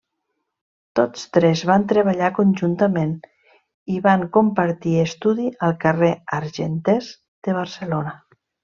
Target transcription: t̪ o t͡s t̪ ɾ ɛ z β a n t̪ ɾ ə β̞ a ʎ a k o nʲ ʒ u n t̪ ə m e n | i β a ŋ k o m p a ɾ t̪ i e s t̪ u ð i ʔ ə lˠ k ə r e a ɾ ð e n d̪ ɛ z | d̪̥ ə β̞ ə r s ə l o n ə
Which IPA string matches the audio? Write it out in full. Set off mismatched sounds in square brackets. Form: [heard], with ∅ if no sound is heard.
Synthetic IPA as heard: t̪ o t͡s t̪ ɾ ɛ z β a n t̪ ɾ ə β̞ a ʎ a k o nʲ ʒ u n t̪ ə m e n | i β a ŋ k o m p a ɾ t̪ i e s t̪ u ð i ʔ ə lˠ k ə r e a ɾ [ʒ] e n [t̪] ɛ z | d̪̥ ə β̞ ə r s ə l o n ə